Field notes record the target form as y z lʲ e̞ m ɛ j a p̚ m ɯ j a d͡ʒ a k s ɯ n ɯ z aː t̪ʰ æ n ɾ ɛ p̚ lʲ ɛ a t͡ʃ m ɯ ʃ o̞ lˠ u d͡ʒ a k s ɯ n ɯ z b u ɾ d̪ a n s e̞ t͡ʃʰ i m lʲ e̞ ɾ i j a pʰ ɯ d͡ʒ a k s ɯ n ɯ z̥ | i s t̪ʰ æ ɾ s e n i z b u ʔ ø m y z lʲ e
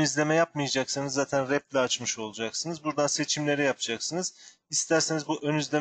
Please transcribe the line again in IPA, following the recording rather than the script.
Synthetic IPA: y z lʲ e̞ m ɛ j a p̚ m ɯ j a d͡ʒ a k s ɯ n ɯ zː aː t̪ʰ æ n ɾ ɛ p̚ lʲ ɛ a t͡ʃ m ɯ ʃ o̞ lˠ u d͡ʒ a k s ɯ n ɯ z b u ɾ d̪ a n s e̞ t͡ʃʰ i m lʲ e̞ ɾ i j a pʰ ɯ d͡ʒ a k s ɯ n ɯ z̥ | i s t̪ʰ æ ɾ s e n i z b u ʔ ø n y z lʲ e